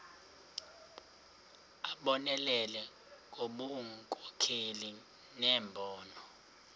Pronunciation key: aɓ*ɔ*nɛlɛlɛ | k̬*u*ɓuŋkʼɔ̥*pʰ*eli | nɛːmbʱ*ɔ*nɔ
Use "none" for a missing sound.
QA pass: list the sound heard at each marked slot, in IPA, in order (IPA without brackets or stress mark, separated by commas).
ɔ, o, kʰ, ɔː